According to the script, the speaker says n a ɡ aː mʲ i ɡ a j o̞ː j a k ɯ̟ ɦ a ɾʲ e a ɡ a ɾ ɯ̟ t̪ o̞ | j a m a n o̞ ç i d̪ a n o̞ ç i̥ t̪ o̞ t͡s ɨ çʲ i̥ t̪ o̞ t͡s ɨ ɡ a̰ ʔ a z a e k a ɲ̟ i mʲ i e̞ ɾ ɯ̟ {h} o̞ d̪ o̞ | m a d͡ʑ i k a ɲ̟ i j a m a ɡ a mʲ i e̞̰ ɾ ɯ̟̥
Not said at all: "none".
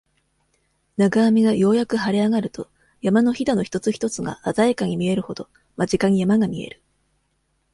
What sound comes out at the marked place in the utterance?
h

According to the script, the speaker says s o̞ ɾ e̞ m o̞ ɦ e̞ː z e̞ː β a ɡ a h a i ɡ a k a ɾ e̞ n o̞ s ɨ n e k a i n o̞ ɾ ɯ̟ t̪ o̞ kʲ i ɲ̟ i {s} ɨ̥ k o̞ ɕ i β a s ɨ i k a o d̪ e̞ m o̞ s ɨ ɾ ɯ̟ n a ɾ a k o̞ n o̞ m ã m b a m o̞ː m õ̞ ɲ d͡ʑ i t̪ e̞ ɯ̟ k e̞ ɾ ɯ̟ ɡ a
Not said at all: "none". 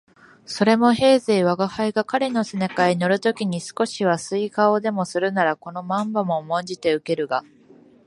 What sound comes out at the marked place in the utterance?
s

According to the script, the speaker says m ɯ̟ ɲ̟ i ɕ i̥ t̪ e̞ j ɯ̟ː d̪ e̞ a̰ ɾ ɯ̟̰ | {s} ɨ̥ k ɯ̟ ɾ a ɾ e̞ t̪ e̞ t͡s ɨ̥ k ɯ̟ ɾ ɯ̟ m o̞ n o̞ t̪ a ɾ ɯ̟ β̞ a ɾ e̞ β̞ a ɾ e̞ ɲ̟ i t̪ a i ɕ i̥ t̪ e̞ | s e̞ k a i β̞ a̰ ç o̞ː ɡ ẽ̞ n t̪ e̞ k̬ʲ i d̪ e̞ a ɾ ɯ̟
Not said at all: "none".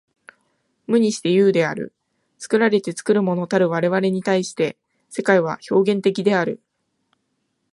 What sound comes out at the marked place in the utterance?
t͡s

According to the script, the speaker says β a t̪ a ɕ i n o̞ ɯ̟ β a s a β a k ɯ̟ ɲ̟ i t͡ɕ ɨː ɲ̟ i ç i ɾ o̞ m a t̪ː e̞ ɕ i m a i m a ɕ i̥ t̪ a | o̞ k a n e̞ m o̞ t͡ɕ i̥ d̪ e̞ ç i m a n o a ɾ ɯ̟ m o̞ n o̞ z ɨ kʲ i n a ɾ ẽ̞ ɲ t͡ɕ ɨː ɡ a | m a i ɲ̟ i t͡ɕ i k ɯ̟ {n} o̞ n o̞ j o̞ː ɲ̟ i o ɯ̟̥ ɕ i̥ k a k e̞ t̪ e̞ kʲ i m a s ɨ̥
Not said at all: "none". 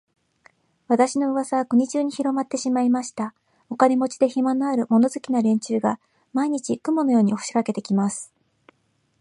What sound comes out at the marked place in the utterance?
m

